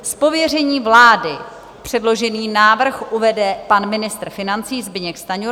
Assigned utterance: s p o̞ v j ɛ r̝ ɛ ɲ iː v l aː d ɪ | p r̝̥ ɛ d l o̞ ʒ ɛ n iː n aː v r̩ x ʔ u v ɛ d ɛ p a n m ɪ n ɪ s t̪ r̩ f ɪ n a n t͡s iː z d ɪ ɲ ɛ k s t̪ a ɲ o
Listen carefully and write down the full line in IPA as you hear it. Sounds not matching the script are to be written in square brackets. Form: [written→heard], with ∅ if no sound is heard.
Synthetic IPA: s p o̞ v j ɛ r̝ ɛ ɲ iː v l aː d ɪ | p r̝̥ ɛ d l o̞ ʒ ɛ n iː n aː v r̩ x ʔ u v ɛ d ɛ p a n m ɪ n ɪ s t̪ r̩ f ɪ n a n t͡s iː z [d→b] ɪ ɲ ɛ k s t̪ a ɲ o